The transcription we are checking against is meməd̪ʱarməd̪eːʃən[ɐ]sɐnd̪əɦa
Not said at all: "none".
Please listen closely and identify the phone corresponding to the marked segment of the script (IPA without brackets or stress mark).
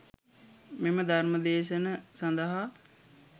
ə